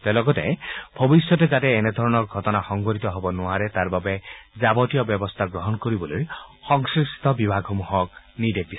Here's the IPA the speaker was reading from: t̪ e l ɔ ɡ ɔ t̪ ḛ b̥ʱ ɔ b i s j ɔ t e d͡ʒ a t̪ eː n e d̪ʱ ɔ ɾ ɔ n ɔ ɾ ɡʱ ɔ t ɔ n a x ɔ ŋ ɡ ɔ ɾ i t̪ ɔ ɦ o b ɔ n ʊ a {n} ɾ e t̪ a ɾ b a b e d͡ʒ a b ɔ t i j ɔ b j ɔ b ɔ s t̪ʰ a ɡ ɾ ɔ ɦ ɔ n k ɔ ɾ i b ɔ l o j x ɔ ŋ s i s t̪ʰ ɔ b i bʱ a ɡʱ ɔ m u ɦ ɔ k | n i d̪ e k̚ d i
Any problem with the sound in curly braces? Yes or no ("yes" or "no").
yes